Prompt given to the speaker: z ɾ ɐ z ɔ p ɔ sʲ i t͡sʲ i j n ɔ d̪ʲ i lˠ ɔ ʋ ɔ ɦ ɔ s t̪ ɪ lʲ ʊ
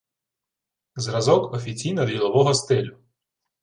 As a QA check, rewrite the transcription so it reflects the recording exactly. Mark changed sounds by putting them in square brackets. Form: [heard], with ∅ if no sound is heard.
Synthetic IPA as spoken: z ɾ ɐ z ɔ [k] ɔ [fʲ] i t͡sʲ i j n ɔ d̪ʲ i lˠ ɔ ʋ ɔ ɦ ɔ s t̪ ɪ lʲ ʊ